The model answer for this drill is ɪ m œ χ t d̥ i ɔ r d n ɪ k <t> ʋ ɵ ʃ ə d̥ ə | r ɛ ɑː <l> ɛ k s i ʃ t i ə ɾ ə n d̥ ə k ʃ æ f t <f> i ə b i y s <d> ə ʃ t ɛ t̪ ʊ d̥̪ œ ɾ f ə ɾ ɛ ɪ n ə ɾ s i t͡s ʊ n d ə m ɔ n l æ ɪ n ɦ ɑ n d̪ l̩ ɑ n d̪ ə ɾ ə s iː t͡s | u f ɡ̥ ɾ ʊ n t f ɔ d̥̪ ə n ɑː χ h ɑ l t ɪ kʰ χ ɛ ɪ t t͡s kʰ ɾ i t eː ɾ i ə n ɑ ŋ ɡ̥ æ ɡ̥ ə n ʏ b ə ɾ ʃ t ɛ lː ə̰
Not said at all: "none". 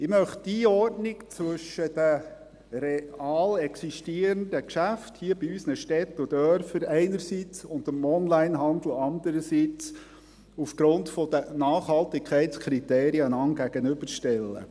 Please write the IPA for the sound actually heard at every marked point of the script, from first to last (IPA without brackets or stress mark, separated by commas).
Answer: t͡s, l, h, n